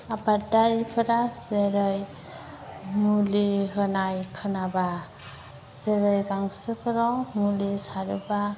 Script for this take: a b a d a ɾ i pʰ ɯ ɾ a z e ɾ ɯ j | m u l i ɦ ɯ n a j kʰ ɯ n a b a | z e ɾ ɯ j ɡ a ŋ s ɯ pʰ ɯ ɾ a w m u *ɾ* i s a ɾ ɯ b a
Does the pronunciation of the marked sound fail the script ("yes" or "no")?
yes